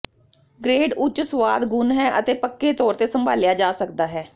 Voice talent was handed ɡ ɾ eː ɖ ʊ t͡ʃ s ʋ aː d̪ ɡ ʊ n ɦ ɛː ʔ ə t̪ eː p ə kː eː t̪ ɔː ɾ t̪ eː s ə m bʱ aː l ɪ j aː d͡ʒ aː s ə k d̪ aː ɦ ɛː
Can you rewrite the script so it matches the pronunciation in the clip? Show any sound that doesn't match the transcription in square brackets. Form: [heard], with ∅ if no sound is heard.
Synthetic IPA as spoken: ɡ ɾ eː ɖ ʊ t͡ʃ s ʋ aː d̪ ɡ ʊ n ɦ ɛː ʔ ə t̪ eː p ə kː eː t̪ ɔː ɾ t̪ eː s ə m bʱ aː l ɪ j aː d͡ʒ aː s ə k d̪ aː ɦ ɛː